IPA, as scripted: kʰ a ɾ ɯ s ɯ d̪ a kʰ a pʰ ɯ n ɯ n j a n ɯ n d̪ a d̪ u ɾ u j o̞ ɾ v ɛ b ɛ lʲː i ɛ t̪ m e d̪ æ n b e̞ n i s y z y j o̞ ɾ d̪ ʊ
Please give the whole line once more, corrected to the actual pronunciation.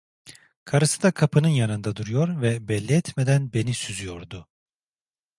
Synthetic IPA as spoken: kʰ a ɾ ɯ s ɯ d̪ a kʰ a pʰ ɯ n ɯ n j a n ɯ n d̪ a d̪ u ɾ u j o̞ ɾ v ɛ b ɛ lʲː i ɛ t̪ m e d̪ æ n b e̞ n i s y z y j o̞ ɾ d̪ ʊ